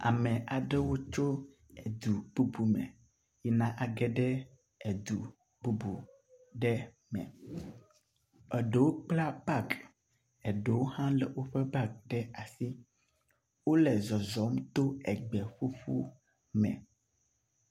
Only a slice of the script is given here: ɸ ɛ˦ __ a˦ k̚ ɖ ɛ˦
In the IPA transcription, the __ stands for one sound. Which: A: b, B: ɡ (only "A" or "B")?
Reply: A